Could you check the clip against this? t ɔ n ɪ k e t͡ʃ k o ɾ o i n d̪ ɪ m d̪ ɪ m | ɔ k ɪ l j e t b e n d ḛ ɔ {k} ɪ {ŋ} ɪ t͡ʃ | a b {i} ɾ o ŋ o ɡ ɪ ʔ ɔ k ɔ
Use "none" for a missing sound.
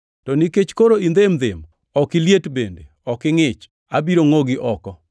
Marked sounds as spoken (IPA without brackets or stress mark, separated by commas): k, ŋ, i